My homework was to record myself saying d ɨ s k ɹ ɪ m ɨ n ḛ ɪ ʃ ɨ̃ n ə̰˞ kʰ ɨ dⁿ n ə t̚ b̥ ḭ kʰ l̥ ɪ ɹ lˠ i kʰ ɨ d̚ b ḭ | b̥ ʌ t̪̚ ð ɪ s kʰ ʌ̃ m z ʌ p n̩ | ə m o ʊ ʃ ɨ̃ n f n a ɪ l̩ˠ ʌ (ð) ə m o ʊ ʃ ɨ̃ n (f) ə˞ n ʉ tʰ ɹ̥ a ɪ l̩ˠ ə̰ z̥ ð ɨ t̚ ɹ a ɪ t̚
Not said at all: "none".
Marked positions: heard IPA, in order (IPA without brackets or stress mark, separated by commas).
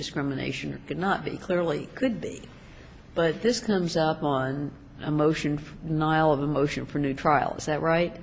v, f